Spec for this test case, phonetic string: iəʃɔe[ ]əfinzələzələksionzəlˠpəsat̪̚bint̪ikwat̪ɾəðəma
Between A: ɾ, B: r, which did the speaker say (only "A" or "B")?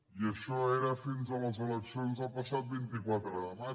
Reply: A